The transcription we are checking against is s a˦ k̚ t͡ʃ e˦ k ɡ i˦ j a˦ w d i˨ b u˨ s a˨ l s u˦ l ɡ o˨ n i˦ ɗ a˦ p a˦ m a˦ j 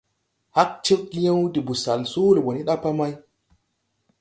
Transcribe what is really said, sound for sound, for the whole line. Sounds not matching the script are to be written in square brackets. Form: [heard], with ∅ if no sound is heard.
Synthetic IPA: [h] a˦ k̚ t͡ʃ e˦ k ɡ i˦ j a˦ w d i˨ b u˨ s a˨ l s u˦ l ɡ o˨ n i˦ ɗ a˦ p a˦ m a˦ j